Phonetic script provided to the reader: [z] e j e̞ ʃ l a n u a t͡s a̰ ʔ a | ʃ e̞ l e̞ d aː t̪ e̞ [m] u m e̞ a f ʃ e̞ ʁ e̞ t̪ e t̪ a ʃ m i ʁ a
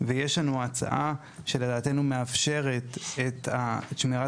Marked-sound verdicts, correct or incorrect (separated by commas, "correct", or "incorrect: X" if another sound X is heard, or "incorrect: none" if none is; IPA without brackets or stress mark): incorrect: v, incorrect: n